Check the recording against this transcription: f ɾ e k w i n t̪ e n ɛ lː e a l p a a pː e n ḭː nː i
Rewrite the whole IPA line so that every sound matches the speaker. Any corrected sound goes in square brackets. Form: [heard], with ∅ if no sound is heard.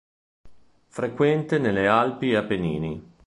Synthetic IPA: f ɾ e k w [ɛ] n t̪ e n [e] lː e a l p [i] a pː e n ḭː [n] i